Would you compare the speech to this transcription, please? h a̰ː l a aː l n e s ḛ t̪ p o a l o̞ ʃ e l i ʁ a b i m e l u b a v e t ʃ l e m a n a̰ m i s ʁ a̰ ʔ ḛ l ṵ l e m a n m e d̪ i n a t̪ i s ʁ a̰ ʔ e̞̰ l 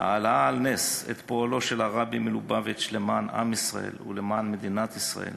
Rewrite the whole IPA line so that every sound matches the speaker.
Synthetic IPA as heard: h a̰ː l a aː l n e s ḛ t̪ p o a l o̞ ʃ e l a ʁ a b i m e l u b a v e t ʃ l e m a n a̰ m i s ʁ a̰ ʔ ḛ l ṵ l e m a n m e d̪ i n a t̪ i s ʁ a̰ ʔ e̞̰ l